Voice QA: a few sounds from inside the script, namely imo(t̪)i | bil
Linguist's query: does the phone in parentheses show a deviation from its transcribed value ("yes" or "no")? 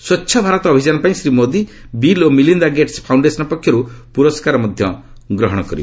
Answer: yes